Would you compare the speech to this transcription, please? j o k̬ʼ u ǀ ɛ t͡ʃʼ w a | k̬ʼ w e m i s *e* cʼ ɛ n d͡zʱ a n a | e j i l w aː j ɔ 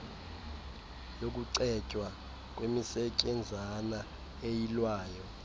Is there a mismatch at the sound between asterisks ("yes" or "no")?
yes